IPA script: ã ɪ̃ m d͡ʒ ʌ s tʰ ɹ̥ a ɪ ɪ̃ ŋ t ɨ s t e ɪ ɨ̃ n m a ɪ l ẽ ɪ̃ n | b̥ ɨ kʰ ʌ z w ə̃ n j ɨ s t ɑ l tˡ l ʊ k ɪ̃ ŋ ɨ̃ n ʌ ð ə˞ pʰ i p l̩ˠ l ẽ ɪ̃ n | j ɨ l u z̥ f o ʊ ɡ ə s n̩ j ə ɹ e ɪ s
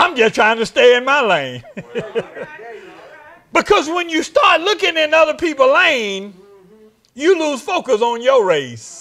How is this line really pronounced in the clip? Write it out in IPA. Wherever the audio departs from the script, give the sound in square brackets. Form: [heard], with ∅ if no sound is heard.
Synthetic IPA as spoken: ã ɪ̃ m d͡ʒ ʌ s tʰ ɹ̥ a ɪ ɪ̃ ŋ t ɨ s t e ɪ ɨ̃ n m a ɪ l ẽ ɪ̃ n | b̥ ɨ kʰ ʌ z w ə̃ n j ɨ s t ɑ [ɹ] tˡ l ʊ k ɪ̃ ŋ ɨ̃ n ʌ ð ə˞ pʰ i p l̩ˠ l ẽ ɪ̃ n | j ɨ l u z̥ f o ʊ [k] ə s n̩ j ə ɹ e ɪ s